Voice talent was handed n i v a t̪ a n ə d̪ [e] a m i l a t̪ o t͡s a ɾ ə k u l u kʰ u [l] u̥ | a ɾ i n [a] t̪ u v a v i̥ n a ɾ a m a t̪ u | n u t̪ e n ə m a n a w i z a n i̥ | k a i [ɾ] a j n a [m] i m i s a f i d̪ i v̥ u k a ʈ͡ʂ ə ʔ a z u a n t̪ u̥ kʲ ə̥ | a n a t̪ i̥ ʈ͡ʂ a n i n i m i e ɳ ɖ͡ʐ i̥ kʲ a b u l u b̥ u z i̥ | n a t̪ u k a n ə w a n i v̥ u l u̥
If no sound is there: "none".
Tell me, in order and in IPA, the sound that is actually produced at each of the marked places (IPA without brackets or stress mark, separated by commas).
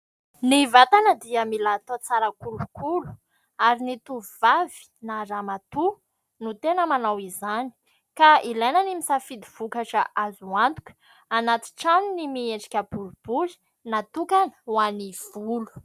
i, l, i, l, n